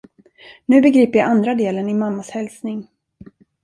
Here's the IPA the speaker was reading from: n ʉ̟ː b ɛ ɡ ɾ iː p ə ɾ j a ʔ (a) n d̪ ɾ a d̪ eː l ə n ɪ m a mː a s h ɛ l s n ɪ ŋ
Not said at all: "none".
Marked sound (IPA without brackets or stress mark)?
a